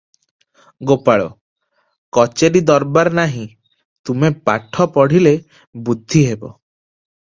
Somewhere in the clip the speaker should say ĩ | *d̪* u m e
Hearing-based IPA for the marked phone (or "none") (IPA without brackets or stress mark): t̪